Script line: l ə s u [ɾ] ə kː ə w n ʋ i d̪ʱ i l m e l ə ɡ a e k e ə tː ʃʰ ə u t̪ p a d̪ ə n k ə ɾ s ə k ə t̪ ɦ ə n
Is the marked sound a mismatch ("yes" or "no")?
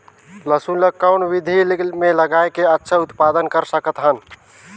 yes